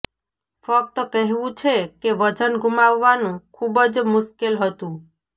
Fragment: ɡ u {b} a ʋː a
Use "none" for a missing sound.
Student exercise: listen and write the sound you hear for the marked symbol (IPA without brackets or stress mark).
m